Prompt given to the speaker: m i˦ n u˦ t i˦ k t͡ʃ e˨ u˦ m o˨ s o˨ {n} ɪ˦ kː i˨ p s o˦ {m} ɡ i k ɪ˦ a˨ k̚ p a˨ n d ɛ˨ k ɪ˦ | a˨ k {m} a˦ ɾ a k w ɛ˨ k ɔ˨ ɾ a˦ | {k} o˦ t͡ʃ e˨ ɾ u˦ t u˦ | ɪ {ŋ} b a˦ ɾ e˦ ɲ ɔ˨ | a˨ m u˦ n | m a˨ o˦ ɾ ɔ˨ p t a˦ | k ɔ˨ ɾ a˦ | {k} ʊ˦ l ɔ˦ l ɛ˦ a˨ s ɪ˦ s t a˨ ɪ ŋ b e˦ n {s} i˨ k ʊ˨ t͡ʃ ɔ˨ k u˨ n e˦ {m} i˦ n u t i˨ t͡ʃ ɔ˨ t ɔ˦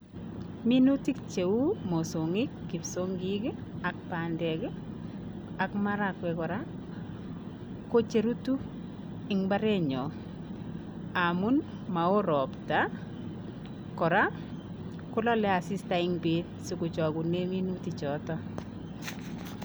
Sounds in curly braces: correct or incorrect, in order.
incorrect: ŋ, incorrect: ŋ, correct, correct, correct, correct, correct, correct

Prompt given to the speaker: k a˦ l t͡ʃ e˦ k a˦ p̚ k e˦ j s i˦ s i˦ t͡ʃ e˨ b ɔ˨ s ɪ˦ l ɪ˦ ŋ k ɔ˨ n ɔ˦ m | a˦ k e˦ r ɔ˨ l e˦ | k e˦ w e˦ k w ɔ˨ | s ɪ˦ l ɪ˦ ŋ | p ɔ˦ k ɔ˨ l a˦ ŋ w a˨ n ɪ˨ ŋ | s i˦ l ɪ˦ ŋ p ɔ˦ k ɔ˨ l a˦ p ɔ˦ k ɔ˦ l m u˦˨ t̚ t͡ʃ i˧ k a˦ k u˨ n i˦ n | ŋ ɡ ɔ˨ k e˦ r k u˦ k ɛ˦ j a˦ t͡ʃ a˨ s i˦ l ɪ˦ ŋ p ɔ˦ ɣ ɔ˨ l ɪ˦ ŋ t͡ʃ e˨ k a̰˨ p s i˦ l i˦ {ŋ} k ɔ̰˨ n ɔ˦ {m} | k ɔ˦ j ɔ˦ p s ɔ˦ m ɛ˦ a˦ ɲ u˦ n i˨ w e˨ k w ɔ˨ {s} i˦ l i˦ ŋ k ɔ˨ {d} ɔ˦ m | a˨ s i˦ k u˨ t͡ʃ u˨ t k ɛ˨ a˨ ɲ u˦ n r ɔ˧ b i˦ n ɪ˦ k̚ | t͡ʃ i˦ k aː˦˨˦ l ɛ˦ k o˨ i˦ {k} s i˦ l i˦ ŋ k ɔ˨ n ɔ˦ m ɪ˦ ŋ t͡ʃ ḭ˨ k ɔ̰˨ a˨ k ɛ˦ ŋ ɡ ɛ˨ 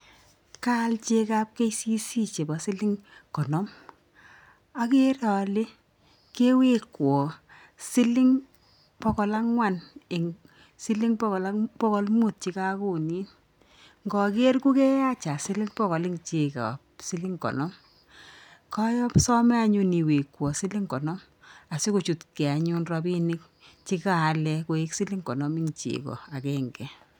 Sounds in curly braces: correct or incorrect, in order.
correct, correct, correct, incorrect: n, correct

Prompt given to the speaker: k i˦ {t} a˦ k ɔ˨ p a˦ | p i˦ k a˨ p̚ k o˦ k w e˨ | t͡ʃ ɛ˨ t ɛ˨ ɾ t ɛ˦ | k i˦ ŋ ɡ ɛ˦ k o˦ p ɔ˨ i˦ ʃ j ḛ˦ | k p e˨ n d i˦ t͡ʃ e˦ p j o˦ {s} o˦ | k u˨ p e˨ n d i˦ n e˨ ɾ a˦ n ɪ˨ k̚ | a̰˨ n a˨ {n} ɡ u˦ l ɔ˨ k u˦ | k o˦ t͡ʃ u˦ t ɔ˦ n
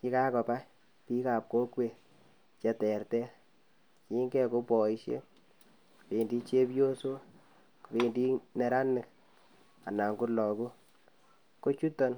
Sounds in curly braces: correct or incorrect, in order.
incorrect: k, correct, incorrect: ŋ

